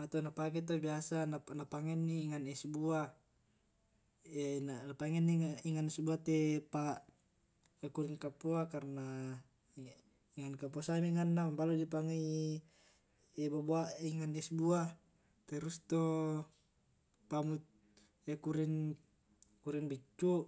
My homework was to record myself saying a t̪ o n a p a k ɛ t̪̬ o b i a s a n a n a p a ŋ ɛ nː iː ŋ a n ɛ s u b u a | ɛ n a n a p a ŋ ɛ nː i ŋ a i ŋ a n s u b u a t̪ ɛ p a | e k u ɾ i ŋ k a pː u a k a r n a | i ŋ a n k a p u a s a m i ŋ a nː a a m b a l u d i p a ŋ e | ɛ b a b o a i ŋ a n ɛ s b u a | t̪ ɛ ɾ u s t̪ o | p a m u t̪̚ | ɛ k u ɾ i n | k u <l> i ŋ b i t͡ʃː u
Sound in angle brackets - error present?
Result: yes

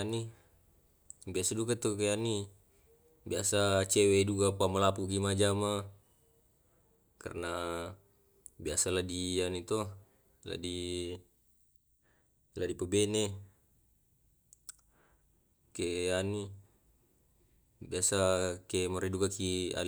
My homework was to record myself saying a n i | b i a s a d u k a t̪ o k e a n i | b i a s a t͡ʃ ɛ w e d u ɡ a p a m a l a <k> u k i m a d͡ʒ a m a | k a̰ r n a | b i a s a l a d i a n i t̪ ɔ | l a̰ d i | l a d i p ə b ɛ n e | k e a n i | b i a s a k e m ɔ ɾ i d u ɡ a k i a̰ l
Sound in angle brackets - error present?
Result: yes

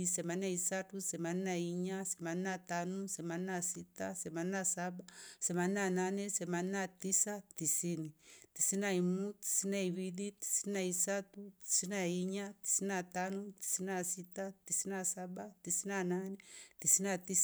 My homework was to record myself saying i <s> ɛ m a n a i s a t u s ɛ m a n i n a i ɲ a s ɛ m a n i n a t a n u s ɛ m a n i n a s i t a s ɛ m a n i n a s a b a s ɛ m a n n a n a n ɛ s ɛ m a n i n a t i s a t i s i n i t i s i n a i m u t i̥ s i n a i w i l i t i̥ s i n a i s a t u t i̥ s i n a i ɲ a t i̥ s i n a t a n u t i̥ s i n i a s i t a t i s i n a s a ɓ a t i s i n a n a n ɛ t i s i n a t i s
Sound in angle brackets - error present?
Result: no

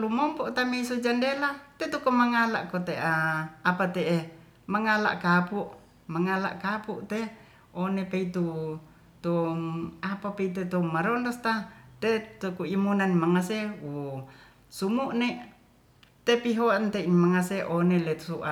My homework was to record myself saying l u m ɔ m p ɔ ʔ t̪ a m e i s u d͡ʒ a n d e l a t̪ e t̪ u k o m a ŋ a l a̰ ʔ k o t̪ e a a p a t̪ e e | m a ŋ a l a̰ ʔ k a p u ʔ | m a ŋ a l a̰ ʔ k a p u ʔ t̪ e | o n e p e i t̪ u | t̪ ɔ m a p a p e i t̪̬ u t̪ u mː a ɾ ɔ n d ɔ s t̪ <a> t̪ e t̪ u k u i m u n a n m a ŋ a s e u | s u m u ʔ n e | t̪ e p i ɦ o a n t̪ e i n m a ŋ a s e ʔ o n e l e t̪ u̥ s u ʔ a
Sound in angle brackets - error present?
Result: no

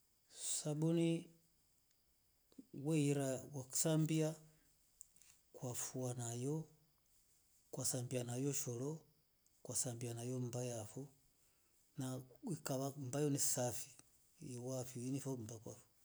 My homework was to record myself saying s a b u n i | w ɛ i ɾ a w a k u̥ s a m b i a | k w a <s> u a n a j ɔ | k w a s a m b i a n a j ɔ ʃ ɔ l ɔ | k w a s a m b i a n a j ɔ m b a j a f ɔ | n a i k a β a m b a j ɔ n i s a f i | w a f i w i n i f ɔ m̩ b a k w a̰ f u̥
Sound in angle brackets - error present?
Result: yes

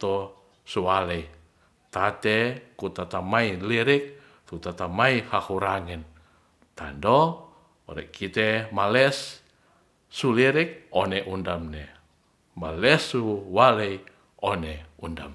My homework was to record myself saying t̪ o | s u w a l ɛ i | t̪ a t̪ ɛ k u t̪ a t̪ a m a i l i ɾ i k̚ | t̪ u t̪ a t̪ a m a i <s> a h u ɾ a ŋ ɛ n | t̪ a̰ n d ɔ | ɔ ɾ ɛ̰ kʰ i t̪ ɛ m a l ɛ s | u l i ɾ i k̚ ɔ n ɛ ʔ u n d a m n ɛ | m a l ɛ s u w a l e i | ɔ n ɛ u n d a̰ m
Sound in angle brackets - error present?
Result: yes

